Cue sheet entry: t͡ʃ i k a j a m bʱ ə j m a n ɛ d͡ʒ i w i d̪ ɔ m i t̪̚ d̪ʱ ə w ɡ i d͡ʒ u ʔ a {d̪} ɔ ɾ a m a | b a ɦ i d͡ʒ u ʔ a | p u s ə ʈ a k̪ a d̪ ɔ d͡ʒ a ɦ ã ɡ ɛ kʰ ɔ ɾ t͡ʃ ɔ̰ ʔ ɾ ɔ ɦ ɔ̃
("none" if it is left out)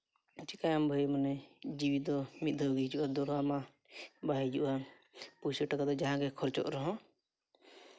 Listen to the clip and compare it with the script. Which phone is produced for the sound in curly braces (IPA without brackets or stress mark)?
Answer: d̪